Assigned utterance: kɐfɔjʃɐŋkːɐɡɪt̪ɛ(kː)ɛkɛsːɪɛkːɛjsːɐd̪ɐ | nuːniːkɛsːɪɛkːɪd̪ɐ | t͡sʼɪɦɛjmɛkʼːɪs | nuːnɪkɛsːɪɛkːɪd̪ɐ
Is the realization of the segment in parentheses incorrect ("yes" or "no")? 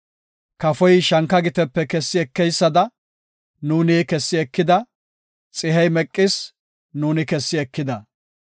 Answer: yes